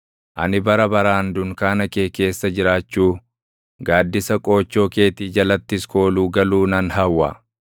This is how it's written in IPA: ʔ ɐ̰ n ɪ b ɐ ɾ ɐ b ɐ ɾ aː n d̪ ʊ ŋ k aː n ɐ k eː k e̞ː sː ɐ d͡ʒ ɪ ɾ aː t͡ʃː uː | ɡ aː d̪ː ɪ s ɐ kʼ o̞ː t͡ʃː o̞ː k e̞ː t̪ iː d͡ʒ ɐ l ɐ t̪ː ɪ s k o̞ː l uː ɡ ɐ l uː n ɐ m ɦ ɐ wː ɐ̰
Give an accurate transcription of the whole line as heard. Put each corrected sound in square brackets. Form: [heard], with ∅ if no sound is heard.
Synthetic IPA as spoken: ʔ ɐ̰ n ɪ b ɐ ɾ ɐ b ɐ ɾ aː n d̪ ʊ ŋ k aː n ɐ k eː k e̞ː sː ɐ d͡ʒ ɪ ɾ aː t͡ʃː uː | ɡ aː d̪ː ɪ s ɐ kʼ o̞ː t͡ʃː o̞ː k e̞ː t̪ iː d͡ʒ ɐ l ɐ t̪ː ɪ s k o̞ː l uː ɡ ɐ l uː n ɐ [n] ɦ ɐ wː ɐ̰